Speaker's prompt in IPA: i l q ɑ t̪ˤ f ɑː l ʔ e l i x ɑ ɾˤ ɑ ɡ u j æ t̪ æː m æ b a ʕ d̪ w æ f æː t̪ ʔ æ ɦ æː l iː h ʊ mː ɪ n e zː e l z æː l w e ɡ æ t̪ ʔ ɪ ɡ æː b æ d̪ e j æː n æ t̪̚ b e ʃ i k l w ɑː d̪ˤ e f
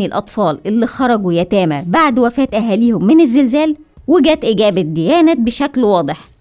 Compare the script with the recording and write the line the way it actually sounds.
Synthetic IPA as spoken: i l ʔ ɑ t̪ˤ f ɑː l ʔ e lː i x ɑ ɾˤ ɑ ɡ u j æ t̪ æː m æ b a ʕ d̪ w æ f æː t̪ ʔ æ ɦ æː l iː h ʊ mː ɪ n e zː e l z æː l w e ɡ æː t̪ ʔ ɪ ɡ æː b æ d̪ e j æː n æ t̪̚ b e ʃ æ k l w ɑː d̪ˤ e ħ